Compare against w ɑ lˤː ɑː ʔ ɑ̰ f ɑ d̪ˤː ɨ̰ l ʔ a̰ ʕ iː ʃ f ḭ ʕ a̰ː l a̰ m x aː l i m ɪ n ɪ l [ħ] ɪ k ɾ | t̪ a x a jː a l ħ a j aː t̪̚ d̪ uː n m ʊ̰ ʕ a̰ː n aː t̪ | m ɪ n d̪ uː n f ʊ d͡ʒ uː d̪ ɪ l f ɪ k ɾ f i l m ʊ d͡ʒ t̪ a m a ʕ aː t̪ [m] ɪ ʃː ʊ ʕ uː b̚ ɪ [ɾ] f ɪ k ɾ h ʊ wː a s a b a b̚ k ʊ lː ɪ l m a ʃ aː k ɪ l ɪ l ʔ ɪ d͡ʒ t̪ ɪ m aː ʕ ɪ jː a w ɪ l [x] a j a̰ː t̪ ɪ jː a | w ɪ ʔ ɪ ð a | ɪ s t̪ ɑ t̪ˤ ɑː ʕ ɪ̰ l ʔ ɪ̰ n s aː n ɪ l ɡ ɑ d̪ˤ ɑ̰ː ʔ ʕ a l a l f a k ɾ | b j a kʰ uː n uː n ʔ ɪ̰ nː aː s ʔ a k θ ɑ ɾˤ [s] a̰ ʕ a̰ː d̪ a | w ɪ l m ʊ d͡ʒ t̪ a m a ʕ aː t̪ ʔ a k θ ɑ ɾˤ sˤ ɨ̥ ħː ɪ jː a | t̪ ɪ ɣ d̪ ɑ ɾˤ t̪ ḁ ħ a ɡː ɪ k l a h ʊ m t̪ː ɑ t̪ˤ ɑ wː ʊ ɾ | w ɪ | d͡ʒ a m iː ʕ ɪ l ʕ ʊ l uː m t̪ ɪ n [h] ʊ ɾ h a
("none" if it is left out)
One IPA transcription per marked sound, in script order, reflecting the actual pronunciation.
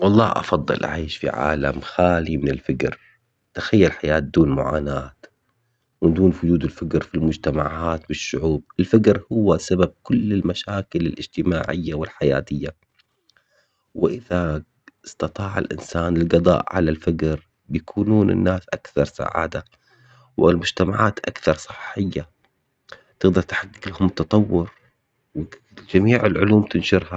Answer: f, b, l, ħ, s, ʃ

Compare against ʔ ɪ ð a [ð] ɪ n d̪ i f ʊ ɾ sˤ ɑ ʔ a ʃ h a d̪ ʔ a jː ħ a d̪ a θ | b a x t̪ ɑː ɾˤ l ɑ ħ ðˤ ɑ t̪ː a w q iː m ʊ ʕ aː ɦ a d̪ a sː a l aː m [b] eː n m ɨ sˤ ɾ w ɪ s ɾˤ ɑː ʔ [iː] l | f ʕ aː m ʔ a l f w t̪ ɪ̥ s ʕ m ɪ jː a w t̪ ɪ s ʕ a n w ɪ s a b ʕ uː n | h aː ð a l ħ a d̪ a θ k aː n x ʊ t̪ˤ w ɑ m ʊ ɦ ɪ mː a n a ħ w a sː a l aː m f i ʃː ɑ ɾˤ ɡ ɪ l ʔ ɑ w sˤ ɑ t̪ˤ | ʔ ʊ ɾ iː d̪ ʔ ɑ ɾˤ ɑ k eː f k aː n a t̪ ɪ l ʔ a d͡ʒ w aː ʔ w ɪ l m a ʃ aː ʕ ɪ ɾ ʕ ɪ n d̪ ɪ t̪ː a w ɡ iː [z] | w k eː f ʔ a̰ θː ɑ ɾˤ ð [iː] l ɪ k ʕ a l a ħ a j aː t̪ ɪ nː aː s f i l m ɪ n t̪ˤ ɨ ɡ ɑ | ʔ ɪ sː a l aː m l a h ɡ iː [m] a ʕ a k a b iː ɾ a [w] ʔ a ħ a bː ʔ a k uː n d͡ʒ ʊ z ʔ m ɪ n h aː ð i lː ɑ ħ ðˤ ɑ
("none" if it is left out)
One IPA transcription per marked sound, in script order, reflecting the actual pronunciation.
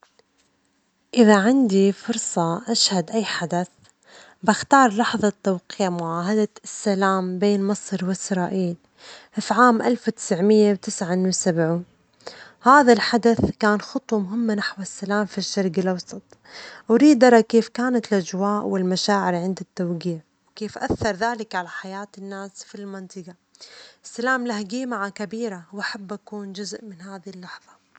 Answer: ʕ, b, iː, ʕ, aː, m, w

